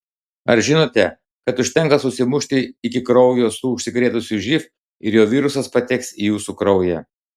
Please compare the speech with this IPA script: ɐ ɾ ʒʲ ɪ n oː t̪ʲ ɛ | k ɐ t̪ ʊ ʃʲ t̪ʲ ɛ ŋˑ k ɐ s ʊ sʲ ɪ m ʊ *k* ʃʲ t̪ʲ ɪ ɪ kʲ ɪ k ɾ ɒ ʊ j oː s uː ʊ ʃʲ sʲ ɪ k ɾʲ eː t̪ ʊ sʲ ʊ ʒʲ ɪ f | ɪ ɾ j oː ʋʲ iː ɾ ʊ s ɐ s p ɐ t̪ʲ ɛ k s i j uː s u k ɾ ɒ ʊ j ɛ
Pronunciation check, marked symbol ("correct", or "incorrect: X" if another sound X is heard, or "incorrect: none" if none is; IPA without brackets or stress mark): incorrect: none